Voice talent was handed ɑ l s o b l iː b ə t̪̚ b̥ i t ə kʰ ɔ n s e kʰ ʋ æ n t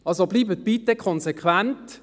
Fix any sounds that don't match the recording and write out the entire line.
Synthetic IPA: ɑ l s o b l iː b ə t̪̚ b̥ i t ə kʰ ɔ n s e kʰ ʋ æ n t